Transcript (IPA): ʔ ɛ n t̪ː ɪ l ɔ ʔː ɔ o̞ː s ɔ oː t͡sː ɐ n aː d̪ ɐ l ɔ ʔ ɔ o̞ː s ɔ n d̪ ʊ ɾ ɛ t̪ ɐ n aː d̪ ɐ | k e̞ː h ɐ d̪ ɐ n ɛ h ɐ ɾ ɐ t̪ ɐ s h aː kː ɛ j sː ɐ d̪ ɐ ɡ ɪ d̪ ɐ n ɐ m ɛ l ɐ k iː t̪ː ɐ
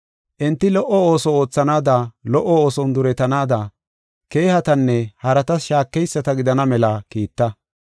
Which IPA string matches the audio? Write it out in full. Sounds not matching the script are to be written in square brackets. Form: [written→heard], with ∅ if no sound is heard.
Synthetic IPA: ʔ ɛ n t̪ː ɪ l ɔ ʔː ɔ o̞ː s ɔ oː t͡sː ɐ n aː d̪ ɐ l ɔ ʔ ɔ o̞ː s ɔ n d̪ ʊ ɾ ɛ t̪ ɐ n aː d̪ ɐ | k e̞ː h ɐ [d̪→t̪] ɐ [n→nː] ɛ h ɐ ɾ ɐ t̪ ɐ s [h→ʃ] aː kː ɛ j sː ɐ [d̪→t̪] ɐ ɡ ɪ d̪ ɐ n ɐ m ɛ l ɐ k iː t̪ː ɐ